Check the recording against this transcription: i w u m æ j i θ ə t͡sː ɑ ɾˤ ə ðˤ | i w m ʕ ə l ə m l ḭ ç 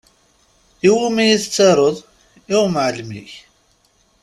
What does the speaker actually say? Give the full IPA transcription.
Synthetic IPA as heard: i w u m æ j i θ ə t͡sː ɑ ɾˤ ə ðˤ | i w m ʕ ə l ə m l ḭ ç